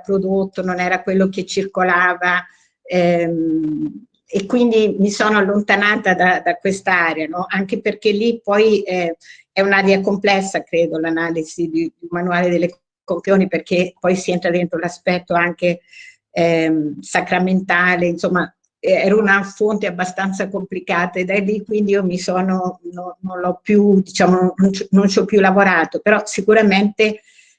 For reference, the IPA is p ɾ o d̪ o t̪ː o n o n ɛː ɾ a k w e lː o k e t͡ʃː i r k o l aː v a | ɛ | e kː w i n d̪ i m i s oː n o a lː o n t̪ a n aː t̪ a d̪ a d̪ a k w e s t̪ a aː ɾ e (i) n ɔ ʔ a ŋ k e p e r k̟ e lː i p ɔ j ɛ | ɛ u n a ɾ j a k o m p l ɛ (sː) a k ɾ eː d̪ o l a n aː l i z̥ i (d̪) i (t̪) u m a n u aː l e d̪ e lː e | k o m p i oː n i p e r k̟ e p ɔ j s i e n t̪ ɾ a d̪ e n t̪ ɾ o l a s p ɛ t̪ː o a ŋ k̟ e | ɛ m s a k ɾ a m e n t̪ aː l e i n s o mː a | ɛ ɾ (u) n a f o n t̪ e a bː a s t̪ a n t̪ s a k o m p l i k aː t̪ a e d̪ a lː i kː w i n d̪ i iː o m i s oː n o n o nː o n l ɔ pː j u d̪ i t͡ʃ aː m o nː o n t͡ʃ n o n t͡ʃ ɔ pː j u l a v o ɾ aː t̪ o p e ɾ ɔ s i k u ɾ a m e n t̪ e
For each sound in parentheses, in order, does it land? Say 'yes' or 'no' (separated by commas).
no, yes, yes, no, yes